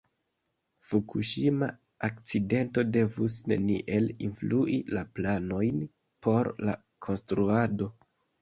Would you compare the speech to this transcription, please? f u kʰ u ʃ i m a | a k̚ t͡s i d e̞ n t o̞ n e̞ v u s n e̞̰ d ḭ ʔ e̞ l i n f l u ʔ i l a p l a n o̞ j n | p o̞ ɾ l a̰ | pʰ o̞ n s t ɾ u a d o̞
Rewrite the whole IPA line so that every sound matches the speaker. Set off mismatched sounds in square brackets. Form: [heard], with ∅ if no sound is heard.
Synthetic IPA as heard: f u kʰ u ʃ i m a | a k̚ t͡s i d e̞ n t o̞ [d] e̞ v u s n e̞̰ [n] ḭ ʔ e̞ l i n f l u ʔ i l a p l a n o̞ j n | p o̞ ɾ l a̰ | [kʰ] o̞ n s t ɾ u a d o̞